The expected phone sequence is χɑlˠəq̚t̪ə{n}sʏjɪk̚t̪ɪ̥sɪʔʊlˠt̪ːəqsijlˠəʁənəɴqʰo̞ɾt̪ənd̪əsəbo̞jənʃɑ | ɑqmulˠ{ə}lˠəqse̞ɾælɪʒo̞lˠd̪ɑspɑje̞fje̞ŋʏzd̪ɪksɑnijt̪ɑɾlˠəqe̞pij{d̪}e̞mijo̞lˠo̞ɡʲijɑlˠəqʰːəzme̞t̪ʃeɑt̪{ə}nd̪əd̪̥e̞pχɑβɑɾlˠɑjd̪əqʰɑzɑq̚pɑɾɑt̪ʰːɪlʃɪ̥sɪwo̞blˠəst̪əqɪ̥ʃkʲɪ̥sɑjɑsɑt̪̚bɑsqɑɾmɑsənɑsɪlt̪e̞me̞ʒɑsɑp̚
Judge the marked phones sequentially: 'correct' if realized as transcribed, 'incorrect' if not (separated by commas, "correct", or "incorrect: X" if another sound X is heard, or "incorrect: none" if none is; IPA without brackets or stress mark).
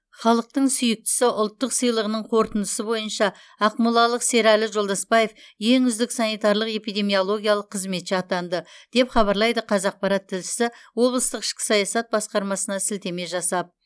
incorrect: ɴ, incorrect: ɑ, correct, incorrect: ɑ